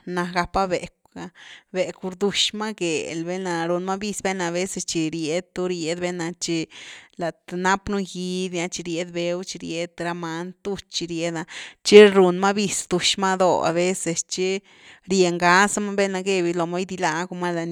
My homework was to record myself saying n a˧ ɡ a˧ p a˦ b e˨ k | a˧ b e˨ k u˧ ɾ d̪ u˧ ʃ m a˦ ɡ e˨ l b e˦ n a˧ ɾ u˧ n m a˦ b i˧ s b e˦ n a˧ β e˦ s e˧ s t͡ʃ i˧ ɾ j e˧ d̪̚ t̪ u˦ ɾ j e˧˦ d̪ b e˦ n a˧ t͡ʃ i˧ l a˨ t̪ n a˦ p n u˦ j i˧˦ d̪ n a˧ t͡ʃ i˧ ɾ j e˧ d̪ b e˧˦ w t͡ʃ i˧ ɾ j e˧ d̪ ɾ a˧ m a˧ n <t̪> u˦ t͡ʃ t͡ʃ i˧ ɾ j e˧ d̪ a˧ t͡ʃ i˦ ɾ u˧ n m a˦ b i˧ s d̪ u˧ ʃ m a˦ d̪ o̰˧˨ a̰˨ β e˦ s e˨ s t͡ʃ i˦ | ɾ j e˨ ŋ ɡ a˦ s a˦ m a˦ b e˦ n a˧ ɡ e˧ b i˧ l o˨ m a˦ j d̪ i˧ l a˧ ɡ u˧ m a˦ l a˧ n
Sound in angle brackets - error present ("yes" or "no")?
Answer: no